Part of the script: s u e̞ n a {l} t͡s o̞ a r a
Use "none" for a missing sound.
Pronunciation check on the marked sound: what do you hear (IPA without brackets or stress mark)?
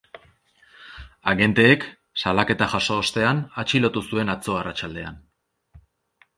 none